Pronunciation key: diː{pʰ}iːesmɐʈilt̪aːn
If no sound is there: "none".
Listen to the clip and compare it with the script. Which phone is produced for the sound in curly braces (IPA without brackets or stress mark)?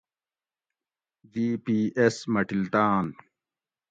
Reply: p